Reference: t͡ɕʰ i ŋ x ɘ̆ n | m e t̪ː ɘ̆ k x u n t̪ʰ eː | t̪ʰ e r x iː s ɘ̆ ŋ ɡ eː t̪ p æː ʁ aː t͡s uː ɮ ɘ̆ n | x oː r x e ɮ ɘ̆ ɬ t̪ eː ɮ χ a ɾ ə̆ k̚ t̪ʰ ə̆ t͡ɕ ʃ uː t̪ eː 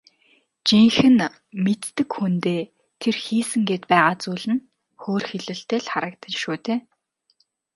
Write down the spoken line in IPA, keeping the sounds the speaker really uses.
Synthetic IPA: t͡ɕ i ŋ x ɘ̆ n | m e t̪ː ɘ̆ k x u n t̪ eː | t̪ʰ e r x iː s ɘ̆ ŋ ɡ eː t̪ p æː ʁ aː t͡s uː ɮ ɘ̆ n | x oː r x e ɮ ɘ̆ ɬ t̪ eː ɮ χ a ɾ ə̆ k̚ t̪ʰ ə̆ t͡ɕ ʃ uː t̪ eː